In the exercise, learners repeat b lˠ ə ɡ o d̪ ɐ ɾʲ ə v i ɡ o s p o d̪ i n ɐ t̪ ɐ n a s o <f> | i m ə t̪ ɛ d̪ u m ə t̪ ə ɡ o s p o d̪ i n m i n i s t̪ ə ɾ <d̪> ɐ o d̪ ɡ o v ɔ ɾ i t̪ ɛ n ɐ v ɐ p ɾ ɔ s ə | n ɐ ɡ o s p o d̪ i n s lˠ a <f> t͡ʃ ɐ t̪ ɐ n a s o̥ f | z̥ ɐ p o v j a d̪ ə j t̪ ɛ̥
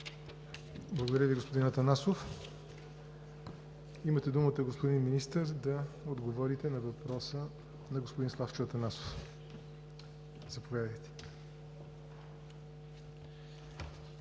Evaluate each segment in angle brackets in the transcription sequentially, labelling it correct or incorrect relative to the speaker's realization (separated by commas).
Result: correct, correct, correct